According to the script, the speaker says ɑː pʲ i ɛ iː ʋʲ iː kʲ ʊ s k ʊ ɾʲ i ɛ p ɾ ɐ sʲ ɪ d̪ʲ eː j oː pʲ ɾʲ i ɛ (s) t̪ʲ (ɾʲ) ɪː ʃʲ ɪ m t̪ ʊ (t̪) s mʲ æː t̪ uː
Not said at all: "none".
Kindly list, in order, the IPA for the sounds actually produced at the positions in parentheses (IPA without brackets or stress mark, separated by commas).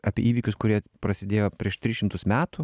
ʃ, ɾʲ, none